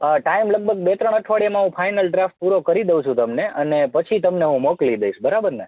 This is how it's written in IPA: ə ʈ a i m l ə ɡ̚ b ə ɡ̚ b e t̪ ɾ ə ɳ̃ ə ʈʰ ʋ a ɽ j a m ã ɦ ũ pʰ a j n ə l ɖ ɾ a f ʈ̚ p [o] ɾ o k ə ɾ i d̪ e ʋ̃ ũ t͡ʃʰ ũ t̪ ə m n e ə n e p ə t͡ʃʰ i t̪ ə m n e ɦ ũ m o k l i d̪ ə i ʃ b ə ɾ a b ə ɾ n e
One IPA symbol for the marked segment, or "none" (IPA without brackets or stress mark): u